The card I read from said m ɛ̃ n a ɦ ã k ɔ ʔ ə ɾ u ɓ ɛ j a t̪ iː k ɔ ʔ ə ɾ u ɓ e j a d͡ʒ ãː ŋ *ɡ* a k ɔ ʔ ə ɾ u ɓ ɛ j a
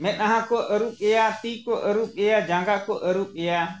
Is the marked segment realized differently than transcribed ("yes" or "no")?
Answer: no